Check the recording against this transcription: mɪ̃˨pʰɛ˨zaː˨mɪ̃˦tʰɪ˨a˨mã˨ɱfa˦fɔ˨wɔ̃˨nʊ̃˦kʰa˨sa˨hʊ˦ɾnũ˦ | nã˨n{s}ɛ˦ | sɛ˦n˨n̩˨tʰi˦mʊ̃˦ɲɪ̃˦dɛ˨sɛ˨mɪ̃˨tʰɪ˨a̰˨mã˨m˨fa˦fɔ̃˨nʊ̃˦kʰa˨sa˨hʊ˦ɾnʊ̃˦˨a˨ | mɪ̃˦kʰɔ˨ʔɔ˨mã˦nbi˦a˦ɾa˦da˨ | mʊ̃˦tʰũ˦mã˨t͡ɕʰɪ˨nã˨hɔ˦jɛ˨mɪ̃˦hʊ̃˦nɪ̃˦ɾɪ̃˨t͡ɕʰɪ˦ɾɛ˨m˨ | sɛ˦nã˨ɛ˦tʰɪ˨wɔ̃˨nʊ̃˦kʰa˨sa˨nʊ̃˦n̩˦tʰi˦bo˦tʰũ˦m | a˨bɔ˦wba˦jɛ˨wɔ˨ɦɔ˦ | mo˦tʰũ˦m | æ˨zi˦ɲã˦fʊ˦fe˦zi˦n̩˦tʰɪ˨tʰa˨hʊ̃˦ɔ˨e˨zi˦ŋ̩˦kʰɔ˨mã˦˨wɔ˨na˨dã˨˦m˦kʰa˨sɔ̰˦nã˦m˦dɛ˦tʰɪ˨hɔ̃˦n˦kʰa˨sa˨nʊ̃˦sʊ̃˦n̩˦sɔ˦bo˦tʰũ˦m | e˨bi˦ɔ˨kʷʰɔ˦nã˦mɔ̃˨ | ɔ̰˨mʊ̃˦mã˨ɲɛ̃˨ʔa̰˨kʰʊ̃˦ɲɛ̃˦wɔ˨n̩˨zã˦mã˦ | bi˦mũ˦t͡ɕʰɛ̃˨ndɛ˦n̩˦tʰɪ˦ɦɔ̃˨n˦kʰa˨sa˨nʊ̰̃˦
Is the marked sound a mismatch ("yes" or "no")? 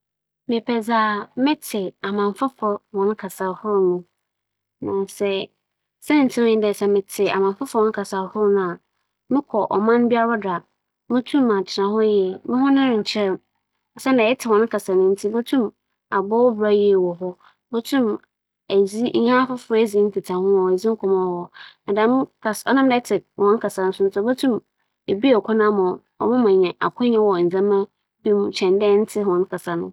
no